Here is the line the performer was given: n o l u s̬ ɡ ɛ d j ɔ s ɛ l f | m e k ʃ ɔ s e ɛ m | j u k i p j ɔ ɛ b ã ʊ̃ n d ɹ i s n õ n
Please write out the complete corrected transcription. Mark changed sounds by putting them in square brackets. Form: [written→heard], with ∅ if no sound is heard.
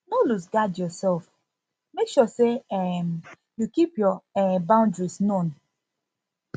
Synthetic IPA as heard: n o l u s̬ ɡ [ɛ→a] d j ɔ s ɛ l f | m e k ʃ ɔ s e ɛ m | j u k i p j ɔ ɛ b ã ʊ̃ n d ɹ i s n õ n

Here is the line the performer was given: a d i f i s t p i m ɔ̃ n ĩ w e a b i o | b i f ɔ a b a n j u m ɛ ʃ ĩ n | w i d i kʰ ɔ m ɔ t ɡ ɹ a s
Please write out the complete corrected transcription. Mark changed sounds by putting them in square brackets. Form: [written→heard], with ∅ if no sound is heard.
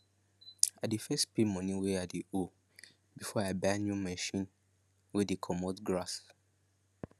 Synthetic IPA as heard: a d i f [i→ɛ] s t p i m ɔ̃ n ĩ w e a [b→d] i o | b i f ɔ a b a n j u m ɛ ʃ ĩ n | w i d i kʰ ɔ m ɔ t ɡ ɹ a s

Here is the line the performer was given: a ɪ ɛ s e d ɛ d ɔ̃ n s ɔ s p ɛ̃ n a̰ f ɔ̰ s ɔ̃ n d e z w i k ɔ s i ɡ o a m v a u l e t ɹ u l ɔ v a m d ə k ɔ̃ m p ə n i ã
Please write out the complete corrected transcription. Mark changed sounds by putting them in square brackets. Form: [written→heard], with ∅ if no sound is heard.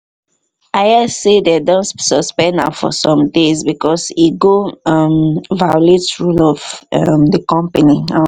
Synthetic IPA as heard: a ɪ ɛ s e d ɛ d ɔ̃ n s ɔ s p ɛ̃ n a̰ f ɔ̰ s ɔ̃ [n→m] d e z [w→b] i k ɔ s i ɡ o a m v a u l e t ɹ u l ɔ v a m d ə k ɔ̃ m p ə n i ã

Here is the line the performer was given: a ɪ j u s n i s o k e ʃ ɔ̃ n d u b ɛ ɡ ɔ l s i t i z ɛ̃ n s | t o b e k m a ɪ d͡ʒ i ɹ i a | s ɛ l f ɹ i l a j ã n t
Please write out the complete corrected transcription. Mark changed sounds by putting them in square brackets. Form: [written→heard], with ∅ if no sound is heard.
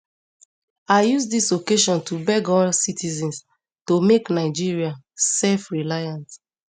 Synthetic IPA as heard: a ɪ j u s [n→d] i s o k e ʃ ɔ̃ n [d→t] u b ɛ ɡ ɔ l s i t i z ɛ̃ n s | t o [b→m] e k [m→n] a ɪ d͡ʒ i ɹ i a | s ɛ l f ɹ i l a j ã n t

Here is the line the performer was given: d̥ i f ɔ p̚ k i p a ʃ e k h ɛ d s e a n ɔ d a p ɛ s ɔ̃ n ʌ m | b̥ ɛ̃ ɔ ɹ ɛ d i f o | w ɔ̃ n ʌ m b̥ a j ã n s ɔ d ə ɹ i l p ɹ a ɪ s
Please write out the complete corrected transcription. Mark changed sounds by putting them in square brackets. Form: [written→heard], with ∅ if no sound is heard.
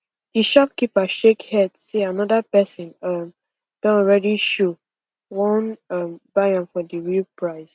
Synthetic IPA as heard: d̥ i [f→ʃ] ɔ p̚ k i p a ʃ e k h ɛ d s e a n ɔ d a p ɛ s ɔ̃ n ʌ m | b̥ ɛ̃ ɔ ɹ ɛ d i [f→ʃ] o | w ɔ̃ n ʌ m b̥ a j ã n [s→f] ɔ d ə ɹ i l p ɹ a ɪ s

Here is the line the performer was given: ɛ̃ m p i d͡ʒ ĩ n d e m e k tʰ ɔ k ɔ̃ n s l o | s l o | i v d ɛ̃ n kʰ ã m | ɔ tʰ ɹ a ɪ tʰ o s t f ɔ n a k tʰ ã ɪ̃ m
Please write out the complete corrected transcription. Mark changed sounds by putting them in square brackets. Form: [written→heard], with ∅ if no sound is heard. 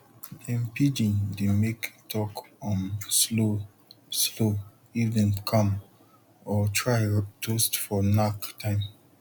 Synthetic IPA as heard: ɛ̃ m p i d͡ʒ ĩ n d e m e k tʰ ɔ k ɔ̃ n s l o | s l o | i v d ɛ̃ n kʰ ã m | ɔ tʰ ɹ a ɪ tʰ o s t f ɔ n a k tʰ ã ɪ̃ m

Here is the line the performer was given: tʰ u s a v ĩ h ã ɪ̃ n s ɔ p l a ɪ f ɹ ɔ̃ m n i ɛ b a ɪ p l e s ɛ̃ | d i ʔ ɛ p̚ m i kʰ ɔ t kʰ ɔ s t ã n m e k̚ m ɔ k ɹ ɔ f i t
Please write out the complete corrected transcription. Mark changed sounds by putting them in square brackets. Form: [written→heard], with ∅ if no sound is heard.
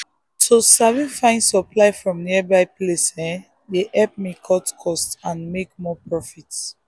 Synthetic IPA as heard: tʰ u s a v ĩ [h→f] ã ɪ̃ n s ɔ p l a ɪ f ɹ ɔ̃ m n i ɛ b a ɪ p l e s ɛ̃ | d [i→e] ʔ ɛ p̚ m i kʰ ɔ t kʰ ɔ s t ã n m e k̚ m ɔ [k→p] ɹ ɔ f i t

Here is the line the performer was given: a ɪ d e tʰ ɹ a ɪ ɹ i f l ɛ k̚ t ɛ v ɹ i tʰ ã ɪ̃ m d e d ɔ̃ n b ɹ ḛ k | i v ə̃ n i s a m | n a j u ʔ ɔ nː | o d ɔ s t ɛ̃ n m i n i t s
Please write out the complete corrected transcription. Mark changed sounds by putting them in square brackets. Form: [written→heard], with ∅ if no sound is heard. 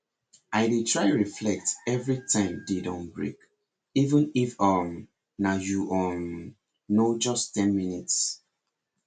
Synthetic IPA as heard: a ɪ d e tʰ ɹ a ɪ ɹ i f l ɛ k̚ t ɛ v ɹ i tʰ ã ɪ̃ m d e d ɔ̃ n b ɹ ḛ k | i v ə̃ n i [s→f] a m | n a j u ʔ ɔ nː | o [d→d͡ʒ] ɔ s t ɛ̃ n m i n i t s

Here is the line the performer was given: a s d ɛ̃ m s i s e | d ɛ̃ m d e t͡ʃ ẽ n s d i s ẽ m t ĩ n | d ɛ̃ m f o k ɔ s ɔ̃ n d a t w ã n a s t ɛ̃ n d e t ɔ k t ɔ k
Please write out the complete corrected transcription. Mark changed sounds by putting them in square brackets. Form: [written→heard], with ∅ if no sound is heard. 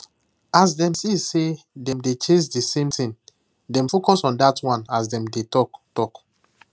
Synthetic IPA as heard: a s d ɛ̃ m s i s e | d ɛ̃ m d e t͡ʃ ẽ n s d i s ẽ m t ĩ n | d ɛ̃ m f o k ɔ s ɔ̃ n d a t w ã n a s [t→d] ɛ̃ [n→m] d e t ɔ k t ɔ k

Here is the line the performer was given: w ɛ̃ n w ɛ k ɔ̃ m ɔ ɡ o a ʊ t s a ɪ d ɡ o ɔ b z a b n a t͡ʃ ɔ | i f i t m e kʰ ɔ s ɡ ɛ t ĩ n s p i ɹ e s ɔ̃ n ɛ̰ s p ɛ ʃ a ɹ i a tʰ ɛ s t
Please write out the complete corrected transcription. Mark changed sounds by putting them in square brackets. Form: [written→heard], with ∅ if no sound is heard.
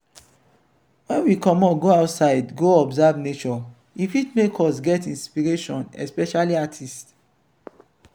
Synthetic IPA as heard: w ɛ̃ n w [ɛ→i] k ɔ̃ m ɔ ɡ o a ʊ t s a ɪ d ɡ o ɔ b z a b n [a→e] t͡ʃ ɔ | i f i t m e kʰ ɔ s ɡ ɛ t ĩ n s p i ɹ e [s→ʃ] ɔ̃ n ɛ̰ s p ɛ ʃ a [ɹ→l] i a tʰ [ɛ→i] s t

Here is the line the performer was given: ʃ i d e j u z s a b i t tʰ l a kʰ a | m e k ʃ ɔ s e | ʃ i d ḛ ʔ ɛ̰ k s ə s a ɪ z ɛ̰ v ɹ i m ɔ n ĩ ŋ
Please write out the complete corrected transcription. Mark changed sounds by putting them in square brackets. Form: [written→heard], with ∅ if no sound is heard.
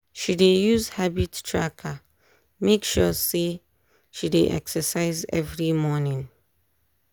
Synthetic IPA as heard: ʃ i d e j u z [s→h] a b i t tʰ [l→ɹ] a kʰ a | m e k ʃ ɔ s e | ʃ i d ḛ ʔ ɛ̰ k s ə s a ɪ z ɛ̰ v ɹ i m ɔ n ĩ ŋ

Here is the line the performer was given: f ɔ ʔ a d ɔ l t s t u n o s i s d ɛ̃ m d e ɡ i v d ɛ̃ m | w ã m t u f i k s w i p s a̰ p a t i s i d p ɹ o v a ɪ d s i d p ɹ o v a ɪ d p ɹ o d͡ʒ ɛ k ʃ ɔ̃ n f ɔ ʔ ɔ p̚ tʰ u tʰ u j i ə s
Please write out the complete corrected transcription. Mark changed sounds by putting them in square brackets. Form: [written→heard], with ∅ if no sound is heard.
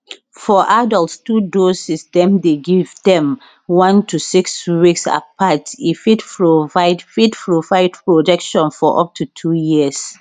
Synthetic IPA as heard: f ɔ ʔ a d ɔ l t s t u [n→d] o s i s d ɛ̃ m d e ɡ i v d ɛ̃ m | w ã [m→n] t u [f→s] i k s w i [p→k] s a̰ p a t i [s→f] i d p ɹ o v a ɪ d [s→f] i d p ɹ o v a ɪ d p ɹ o d͡ʒ ɛ k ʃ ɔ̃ n f ɔ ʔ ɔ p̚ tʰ u tʰ u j i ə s

